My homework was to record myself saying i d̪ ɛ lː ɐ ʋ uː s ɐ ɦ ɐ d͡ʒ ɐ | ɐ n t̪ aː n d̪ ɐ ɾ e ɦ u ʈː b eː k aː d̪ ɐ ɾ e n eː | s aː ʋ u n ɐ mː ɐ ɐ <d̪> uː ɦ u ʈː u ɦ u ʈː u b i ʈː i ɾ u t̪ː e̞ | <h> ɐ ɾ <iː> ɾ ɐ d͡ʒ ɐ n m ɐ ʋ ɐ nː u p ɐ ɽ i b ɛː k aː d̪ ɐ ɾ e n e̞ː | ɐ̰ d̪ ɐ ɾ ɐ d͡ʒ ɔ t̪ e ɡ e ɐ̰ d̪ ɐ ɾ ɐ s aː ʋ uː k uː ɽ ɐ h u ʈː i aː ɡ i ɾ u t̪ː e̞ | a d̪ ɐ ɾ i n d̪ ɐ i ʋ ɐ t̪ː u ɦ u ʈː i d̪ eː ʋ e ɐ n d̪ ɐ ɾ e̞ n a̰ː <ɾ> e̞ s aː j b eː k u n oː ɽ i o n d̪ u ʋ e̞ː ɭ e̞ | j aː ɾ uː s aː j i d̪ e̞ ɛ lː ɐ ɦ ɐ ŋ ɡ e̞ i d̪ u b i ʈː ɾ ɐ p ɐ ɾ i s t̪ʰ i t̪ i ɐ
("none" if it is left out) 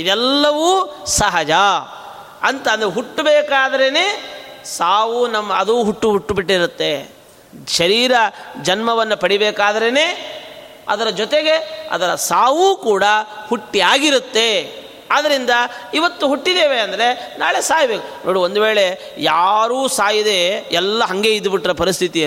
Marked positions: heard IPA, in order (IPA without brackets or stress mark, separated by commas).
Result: d̪, ʃ, iː, ɭ